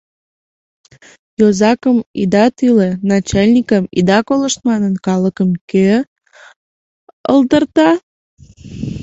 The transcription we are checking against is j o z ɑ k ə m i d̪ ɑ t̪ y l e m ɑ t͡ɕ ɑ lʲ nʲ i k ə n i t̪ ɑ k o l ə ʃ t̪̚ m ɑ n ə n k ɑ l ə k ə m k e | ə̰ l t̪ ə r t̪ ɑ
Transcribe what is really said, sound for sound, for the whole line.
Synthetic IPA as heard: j o z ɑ k ə m i d̪ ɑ t̪ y l e n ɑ t͡ɕ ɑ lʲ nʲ i k ə m i d̪ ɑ k o l ə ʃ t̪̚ m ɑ n ə n k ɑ l ə k ə m k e | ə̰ l d̪ ə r t̪ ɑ